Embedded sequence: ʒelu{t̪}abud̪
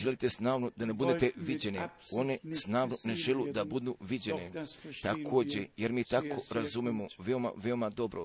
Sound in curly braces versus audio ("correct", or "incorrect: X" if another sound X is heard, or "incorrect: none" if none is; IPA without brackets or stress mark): incorrect: d̪